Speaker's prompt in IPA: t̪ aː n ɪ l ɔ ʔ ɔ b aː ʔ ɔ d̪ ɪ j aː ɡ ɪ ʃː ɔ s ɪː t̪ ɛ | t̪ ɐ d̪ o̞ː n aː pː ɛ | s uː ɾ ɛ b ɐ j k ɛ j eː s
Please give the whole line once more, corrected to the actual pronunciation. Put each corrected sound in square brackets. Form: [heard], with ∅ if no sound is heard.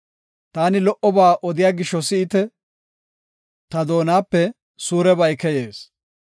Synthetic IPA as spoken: t̪ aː n ɪ l ɔ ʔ ɔ b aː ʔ ɔ d̪ ɪ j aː ɡ ɪ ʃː ɔ s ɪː t̪ ɛ | t̪ ɐ d̪ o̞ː n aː pː ɛ | s uː ɾ ɛ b ɐ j k ɛ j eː s